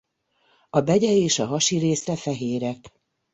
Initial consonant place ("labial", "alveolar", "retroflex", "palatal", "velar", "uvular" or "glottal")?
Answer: labial